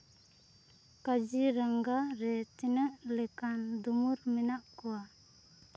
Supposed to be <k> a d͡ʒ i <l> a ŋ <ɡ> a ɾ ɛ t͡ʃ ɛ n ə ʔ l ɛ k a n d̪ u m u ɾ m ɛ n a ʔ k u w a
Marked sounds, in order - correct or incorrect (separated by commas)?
correct, incorrect, correct